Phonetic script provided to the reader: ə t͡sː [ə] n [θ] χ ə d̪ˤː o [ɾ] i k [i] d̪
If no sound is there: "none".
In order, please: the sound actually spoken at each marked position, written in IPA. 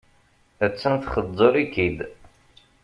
ə, θ, ɾ, i

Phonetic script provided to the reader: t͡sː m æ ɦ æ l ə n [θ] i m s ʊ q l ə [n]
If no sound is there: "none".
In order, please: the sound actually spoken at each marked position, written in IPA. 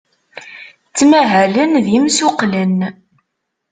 ð, n

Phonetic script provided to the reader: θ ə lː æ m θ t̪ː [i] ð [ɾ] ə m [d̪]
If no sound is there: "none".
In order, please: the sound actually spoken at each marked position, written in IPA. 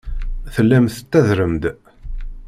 æ, ɾ, d̪

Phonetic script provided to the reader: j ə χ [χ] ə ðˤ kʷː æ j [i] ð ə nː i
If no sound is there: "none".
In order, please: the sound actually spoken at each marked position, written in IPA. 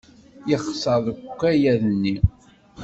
s, æ

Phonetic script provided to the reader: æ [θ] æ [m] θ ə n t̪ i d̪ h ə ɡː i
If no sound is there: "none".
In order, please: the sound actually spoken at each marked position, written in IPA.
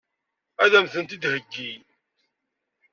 ð, m

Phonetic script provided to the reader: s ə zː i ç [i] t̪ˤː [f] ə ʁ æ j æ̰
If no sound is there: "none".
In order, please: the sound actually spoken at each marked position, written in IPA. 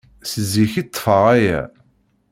i, f

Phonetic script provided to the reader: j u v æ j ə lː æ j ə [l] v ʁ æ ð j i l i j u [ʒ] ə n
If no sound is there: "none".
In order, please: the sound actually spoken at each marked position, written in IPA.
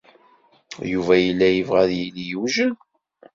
none, ʒ

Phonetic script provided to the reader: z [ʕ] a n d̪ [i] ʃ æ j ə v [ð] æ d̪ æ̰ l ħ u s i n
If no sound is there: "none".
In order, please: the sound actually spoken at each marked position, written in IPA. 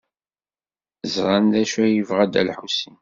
ʁ, æ, ʁ

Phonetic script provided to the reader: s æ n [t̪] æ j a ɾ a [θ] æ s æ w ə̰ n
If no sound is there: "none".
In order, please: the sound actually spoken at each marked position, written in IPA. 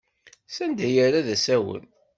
d̪, ð

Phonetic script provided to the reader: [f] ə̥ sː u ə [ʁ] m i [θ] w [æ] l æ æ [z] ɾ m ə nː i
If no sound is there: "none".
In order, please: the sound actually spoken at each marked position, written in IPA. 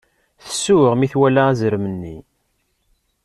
θ, ʁ, θ, æ, z

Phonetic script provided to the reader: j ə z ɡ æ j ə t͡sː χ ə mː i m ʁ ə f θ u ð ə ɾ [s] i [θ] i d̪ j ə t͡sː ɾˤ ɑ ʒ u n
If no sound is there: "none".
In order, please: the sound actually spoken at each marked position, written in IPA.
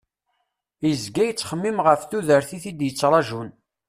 θ, θ

